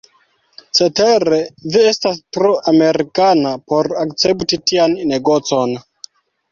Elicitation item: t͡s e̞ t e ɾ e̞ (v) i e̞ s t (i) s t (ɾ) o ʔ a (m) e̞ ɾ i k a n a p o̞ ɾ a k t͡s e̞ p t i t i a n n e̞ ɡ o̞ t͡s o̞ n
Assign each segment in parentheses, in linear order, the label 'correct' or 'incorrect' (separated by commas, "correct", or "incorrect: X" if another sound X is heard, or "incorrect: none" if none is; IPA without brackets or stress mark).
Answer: correct, incorrect: a, correct, correct